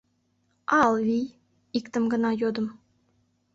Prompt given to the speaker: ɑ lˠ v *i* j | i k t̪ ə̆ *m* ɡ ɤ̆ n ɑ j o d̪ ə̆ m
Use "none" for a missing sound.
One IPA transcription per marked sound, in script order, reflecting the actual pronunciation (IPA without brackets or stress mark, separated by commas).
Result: i, m